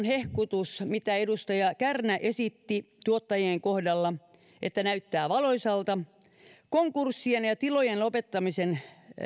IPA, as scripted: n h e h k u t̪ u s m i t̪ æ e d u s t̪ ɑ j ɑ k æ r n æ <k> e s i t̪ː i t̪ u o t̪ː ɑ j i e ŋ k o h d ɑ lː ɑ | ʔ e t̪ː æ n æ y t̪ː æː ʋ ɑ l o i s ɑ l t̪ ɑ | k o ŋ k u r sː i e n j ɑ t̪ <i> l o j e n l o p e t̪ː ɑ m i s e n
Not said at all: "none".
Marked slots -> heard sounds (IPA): ʔ, i

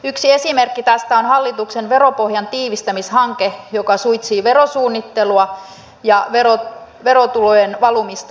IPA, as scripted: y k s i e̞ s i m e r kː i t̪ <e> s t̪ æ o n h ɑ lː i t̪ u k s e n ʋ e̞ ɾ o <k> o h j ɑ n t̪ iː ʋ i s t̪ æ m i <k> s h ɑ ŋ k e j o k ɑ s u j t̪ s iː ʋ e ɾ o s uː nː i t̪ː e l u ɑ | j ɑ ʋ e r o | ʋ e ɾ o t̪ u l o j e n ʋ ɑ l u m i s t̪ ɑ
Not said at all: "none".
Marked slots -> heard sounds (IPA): æ, p, none

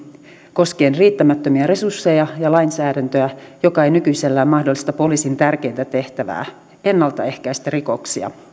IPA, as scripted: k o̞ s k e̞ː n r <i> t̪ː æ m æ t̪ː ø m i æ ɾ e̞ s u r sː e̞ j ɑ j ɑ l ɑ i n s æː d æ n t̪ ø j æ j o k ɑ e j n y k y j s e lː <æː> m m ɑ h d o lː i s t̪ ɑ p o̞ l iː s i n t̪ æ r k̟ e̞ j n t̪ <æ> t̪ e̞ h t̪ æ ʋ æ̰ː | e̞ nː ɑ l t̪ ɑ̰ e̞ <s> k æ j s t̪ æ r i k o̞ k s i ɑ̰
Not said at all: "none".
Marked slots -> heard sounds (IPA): iː, æː, æ, h

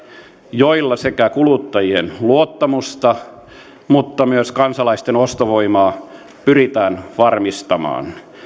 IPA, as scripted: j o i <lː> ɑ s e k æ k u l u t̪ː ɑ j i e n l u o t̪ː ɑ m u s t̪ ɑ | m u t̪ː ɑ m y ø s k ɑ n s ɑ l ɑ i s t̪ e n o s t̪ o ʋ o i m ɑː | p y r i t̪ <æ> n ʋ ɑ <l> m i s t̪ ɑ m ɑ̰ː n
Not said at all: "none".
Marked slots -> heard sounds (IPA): lː, æː, r

